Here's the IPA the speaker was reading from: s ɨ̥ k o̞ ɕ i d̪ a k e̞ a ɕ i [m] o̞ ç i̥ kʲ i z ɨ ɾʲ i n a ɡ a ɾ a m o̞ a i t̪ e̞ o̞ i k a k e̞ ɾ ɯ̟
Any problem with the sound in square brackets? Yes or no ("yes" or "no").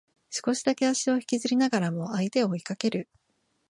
yes